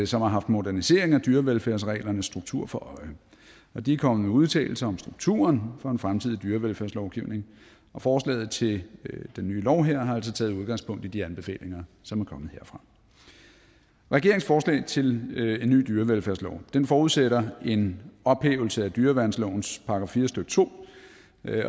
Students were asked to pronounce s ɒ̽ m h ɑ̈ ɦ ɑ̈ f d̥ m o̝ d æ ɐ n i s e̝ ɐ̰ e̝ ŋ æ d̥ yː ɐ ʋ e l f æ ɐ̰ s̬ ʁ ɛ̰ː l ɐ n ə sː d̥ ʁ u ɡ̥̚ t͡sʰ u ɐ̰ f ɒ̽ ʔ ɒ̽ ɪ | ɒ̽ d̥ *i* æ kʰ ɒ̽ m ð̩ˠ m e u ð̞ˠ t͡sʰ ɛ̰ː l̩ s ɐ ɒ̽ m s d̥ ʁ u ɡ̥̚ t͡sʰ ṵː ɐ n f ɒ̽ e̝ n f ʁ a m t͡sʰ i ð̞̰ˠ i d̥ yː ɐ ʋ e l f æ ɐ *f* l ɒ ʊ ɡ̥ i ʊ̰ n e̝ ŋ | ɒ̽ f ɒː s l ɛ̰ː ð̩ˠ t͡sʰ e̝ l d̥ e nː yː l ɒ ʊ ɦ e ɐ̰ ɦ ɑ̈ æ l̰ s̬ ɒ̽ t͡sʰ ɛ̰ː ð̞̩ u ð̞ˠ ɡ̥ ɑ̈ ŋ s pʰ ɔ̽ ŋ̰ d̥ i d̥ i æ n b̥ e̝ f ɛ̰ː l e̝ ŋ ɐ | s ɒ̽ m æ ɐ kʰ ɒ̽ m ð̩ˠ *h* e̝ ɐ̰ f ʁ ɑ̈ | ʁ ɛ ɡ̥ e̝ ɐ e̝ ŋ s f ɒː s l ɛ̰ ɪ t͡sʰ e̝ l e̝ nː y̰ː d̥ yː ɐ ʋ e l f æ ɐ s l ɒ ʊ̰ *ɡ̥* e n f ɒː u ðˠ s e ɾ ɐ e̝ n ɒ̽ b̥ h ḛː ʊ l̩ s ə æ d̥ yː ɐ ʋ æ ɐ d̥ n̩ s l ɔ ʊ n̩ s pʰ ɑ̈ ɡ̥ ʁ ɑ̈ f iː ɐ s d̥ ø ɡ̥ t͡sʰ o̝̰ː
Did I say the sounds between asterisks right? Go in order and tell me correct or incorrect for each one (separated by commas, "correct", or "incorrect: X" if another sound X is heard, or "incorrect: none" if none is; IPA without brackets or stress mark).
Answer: correct, incorrect: s, correct, incorrect: d̥